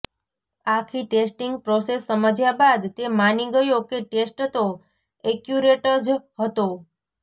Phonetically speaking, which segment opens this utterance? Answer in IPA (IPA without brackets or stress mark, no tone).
a